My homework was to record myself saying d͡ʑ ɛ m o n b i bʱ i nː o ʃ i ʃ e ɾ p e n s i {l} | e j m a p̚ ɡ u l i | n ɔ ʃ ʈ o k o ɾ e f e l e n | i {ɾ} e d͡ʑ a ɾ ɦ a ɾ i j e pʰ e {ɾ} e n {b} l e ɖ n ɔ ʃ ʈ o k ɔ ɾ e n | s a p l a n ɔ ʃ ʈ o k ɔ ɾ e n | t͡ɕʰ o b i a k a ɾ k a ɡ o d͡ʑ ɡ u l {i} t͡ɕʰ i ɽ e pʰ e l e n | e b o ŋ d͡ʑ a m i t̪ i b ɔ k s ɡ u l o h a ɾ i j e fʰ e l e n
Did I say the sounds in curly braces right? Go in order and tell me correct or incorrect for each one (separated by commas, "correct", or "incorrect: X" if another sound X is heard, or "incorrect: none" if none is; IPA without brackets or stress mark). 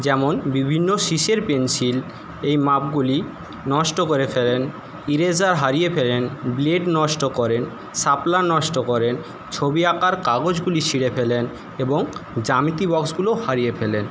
correct, correct, incorrect: l, correct, correct